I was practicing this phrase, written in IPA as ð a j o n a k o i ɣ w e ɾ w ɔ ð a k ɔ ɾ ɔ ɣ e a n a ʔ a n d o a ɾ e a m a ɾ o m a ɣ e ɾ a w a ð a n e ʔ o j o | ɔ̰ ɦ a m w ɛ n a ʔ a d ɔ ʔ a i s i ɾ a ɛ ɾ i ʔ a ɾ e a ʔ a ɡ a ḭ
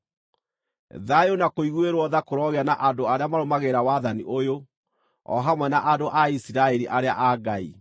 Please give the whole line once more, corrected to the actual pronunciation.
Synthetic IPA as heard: ð a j o n a k o i ɣ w e ɾ w ɔ ð a k o ɾ ɔ ɣ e a n a ʔ a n d o a ɾ e a m a ɾ o m a ɣ e ɾ a w a ð a n i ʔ o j o | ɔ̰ ɦ a m w ɛ n a ʔ a d o ʔ a i s i ɾ a ɛ ɾ i ʔ a ɾ e a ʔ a ɡ a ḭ